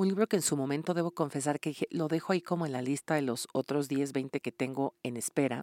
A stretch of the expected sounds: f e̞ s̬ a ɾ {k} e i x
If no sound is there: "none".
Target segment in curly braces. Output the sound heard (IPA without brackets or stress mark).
k